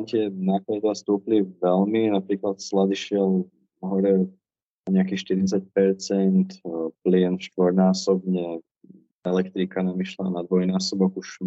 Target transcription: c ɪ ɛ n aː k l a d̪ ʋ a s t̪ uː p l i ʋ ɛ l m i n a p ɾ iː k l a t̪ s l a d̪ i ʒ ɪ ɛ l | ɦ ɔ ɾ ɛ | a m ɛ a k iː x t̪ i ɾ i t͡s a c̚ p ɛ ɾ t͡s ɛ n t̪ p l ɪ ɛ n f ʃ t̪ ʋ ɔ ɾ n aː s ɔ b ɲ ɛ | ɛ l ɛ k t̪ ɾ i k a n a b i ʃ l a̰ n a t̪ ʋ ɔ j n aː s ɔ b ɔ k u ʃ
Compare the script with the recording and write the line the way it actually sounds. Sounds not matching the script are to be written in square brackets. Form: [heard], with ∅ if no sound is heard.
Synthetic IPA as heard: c ɪ ɛ n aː k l a d̪ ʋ a s t̪ uː p l i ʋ ɛ l m i n a p ɾ iː k l a t̪ s l a d̪ i [ʃ] ɪ ɛ l | ɦ ɔ ɾ ɛ | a [ɲ] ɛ a k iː [ʃ] t̪ i ɾ i t͡s a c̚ p ɛ ɾ t͡s ɛ n t̪ p l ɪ ɛ n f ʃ t̪ ʋ ɔ ɾ n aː s ɔ b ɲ ɛ | ɛ l ɛ k t̪ ɾ i k a n a [m] i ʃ l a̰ n a [d̪] ʋ ɔ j n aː s ɔ b ɔ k u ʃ